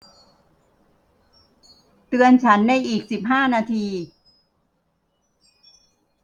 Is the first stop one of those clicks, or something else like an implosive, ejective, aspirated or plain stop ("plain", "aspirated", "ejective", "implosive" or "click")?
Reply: plain